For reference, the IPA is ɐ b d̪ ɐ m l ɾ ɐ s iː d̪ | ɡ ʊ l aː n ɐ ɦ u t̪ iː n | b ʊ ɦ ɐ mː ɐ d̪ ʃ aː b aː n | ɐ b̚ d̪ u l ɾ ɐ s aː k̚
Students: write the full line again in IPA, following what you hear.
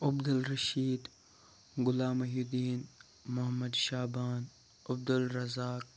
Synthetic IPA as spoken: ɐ b d̪ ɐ l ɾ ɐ ʃ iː d̪ | ɡ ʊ l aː m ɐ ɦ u d̪ iː n | m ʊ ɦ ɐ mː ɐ d̪ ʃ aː b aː n | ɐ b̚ d̪ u l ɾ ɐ z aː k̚